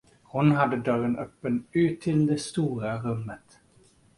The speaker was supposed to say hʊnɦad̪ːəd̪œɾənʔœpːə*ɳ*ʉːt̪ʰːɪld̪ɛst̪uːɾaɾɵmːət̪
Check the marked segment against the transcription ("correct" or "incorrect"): incorrect